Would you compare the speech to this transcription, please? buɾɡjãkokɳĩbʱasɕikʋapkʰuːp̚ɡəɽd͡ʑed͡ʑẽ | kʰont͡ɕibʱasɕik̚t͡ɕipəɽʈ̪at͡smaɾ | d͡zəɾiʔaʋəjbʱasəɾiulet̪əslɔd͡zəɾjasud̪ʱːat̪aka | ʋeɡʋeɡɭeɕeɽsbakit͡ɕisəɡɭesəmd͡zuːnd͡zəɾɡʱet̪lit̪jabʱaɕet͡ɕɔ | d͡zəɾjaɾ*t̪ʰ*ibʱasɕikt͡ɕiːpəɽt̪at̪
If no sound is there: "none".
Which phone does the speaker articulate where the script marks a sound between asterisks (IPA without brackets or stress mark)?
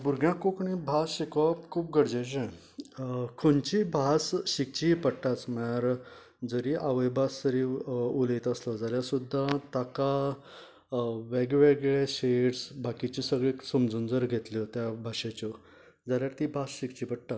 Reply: t̪